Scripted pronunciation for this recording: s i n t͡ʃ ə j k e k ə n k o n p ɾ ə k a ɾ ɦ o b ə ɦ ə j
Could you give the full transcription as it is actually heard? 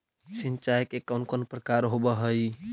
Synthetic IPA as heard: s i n t͡ʃ a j k e k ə n k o n p ɾ ə k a ɾ ɦ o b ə ɦ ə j